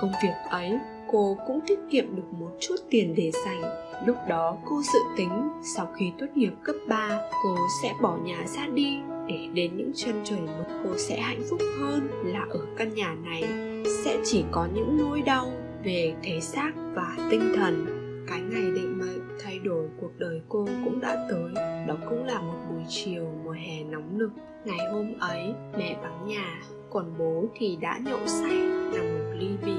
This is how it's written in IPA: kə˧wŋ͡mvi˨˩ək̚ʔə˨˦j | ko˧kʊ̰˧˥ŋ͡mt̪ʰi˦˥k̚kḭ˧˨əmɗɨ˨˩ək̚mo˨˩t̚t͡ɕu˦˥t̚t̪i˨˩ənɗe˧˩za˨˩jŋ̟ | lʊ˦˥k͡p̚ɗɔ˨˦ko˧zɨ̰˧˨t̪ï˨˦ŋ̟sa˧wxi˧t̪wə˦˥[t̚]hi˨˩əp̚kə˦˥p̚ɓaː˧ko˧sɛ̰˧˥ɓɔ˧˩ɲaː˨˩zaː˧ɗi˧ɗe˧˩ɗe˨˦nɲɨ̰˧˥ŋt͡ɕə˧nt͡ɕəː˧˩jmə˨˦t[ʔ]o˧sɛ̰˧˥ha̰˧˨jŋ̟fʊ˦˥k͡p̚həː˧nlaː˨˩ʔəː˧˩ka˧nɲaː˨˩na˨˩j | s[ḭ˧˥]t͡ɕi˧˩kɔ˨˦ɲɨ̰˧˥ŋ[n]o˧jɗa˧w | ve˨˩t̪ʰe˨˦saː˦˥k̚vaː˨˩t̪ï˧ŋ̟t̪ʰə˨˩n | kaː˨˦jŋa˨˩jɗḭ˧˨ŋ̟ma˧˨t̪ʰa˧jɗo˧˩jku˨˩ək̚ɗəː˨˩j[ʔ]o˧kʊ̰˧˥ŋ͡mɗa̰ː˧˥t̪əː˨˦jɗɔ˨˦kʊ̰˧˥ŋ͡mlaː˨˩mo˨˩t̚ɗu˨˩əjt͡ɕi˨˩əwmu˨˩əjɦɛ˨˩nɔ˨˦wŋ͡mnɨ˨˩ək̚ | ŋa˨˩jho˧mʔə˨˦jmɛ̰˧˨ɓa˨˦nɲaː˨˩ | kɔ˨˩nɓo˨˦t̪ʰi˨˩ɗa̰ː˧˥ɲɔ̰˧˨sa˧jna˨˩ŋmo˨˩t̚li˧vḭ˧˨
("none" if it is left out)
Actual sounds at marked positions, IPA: t̚, k, ɛ̰˧˥, n, k

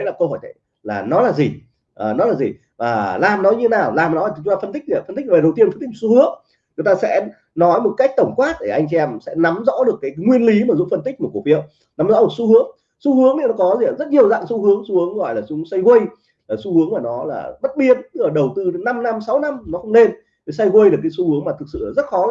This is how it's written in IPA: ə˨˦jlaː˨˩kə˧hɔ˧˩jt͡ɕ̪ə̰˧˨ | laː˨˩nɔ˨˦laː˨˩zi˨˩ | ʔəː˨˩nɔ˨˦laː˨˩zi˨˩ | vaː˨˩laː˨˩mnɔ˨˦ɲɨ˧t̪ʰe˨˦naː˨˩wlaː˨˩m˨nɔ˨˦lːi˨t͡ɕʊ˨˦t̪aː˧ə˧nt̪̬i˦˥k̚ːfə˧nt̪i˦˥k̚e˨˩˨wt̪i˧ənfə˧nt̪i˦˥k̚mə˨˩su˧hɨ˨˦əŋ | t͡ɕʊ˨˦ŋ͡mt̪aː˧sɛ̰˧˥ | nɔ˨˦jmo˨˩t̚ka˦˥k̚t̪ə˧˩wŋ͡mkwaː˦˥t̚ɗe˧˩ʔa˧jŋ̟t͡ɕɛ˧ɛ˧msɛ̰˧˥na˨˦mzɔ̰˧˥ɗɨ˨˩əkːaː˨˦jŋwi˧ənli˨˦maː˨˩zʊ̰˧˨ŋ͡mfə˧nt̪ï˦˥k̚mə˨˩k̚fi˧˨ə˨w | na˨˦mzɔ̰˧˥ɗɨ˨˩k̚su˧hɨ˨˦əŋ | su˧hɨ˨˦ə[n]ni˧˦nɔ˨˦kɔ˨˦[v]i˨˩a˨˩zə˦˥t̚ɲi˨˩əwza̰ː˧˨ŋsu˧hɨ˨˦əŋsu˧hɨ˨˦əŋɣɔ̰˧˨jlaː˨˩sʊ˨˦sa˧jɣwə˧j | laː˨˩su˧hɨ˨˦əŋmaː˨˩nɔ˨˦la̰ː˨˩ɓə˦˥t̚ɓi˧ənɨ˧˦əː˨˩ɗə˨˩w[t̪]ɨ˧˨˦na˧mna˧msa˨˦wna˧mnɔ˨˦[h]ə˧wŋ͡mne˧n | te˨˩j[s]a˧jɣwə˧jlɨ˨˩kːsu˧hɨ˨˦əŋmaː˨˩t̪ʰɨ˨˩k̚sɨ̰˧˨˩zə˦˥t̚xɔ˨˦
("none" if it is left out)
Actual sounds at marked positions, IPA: ŋ, z, t̪, x, s

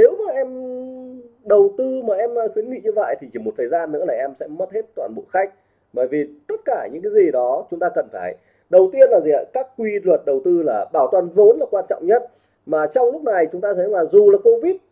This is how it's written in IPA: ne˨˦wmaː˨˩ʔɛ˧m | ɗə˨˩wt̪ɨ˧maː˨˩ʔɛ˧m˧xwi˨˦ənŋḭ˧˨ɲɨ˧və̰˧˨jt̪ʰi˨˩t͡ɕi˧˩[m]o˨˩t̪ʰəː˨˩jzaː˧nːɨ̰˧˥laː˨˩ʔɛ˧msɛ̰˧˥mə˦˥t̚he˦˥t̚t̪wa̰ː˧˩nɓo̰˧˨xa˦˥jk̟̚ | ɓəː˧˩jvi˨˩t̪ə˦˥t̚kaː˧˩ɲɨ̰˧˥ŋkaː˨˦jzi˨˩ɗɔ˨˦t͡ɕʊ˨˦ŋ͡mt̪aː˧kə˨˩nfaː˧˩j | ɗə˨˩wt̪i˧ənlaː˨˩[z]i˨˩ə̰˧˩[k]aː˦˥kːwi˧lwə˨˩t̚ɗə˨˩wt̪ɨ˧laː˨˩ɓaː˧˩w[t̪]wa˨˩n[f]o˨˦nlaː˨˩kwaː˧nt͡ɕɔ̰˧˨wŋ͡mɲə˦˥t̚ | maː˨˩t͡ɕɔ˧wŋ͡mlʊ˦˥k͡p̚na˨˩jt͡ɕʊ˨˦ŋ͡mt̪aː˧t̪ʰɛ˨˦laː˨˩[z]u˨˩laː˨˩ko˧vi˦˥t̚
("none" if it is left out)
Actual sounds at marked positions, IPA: m, z, k, t̪, v, z

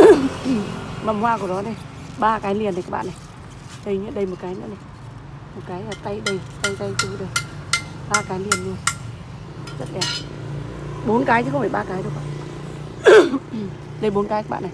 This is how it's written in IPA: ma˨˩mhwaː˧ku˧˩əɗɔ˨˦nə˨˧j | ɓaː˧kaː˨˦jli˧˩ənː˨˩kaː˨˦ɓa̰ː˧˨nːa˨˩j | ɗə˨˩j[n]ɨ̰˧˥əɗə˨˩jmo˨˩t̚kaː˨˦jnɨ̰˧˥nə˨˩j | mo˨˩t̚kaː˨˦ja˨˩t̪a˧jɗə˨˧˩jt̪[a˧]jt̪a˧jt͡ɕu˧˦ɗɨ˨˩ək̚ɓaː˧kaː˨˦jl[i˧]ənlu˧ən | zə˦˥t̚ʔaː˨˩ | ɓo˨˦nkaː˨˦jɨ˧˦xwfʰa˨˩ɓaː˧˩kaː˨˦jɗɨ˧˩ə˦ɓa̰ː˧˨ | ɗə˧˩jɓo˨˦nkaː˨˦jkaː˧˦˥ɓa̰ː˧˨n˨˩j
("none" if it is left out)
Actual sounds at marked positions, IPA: ɲ, a˧, i˧

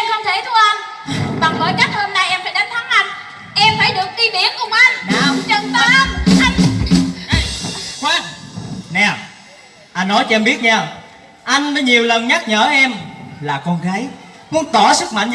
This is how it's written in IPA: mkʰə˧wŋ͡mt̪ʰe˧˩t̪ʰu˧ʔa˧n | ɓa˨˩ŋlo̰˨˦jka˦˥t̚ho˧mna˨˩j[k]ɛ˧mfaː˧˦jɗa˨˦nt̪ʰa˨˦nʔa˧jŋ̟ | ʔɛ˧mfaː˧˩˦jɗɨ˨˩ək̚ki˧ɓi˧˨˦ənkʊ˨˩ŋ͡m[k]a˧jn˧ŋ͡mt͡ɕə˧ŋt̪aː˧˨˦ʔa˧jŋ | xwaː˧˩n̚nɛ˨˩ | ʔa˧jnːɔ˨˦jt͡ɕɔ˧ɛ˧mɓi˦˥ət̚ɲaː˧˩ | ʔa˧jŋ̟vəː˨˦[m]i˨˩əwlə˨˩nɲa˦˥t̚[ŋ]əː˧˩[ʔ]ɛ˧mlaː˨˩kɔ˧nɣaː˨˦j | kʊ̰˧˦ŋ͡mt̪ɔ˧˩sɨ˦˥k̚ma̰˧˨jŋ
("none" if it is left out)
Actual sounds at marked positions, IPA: ʔ, ʔ, ɲ, ɲ, ʔ

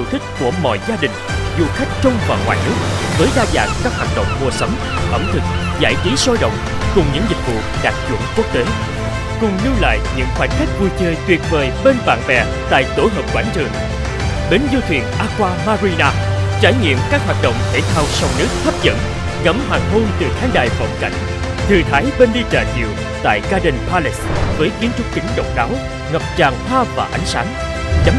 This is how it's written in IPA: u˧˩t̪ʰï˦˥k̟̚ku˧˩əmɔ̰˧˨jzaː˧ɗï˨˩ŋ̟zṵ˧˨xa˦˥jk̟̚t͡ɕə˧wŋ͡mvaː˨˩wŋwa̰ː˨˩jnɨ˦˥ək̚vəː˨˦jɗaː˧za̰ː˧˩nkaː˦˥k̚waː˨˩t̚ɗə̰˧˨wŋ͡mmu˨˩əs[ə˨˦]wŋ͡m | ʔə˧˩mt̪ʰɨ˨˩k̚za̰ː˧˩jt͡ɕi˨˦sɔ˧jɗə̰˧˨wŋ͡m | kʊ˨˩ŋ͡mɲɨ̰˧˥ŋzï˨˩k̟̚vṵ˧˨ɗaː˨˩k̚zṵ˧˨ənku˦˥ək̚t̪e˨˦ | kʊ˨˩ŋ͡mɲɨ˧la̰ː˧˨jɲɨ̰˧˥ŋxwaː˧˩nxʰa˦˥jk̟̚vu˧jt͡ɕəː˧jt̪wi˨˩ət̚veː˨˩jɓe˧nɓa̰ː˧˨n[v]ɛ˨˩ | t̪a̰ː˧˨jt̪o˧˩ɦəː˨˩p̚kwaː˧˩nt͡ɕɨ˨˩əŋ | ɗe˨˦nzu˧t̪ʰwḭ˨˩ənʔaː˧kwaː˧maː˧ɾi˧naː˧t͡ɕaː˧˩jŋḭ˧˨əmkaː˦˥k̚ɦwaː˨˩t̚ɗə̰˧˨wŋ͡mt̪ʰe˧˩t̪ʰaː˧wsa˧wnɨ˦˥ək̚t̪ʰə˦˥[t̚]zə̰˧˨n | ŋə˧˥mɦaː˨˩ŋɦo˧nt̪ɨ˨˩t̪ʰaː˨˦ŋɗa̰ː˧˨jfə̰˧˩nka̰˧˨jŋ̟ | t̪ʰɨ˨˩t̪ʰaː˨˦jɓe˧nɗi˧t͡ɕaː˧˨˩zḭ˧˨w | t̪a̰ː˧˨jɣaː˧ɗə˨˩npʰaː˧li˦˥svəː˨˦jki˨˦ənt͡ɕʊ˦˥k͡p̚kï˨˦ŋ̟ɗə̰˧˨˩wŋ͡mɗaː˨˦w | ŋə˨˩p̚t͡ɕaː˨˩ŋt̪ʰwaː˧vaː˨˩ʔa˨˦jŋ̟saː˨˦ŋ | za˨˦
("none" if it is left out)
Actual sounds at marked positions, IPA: ə˨˦, v, p̚

